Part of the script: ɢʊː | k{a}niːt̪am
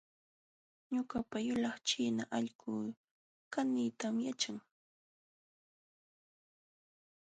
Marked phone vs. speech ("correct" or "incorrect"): correct